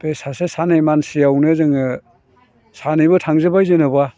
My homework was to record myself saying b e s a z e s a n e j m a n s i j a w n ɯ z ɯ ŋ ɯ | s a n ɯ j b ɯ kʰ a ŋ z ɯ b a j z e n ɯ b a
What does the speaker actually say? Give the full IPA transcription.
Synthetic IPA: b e s a s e s a n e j m a n s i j a w n ɯ z ɯ ŋ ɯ | s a n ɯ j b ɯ tʰ a ŋ z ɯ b a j z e n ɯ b a

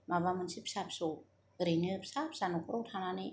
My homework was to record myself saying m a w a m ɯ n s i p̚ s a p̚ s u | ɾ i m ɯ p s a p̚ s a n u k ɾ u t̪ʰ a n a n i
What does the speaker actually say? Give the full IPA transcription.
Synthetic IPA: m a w a m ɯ n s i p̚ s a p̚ s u | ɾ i n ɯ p s a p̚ s a n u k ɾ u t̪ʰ a n a n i

